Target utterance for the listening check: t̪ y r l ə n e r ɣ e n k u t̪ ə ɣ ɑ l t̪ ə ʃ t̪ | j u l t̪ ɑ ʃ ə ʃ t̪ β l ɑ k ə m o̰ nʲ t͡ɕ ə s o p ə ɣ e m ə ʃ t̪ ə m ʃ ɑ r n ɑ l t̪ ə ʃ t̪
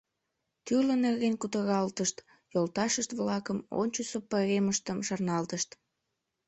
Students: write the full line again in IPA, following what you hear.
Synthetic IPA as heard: t̪ y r l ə n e r ɣ e n k u t̪ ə ɣ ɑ l t̪ ə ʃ t̪ | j o l t̪ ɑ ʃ ə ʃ t̪ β l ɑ k ə m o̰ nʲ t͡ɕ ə s o p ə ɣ e m ə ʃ t̪ ə m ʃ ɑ r n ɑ l t̪ ə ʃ t̪